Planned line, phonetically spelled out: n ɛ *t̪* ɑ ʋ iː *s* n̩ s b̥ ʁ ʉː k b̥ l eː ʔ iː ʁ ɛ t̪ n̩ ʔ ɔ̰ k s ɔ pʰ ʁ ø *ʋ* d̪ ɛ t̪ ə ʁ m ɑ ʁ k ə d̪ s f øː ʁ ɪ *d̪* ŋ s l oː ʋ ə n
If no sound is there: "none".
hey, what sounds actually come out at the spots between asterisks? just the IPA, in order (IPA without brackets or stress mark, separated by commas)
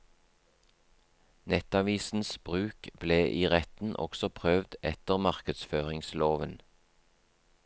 t̪, s, ʋ, none